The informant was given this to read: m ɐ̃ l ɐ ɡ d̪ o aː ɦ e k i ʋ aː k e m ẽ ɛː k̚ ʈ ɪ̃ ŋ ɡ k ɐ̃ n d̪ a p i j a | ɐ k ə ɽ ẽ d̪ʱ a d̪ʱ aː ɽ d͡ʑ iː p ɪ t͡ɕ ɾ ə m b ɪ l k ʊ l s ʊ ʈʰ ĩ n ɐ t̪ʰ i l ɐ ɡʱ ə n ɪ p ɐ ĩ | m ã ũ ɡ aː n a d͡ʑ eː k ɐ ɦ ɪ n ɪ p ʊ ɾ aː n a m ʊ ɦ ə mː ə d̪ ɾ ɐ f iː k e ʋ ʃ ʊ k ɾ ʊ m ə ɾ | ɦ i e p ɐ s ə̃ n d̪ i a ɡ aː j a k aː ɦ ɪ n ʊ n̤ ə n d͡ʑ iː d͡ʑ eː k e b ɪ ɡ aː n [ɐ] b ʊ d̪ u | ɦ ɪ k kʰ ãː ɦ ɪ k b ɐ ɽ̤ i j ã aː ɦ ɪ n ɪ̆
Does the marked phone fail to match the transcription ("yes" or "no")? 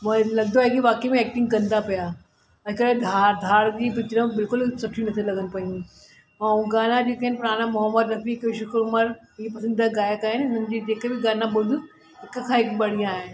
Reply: yes